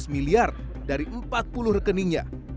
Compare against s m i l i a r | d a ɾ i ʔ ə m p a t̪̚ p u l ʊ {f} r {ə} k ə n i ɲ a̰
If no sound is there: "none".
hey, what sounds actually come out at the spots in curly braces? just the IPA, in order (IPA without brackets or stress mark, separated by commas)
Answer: h, ə